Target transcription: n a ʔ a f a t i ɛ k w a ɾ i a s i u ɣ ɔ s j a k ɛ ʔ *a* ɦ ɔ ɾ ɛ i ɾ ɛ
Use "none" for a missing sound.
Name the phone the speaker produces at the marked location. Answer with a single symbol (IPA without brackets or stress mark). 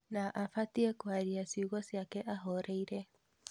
a